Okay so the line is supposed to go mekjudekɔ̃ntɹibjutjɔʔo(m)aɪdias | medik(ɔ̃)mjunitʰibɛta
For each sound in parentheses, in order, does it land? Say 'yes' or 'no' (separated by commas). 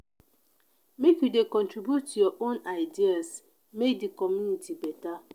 no, no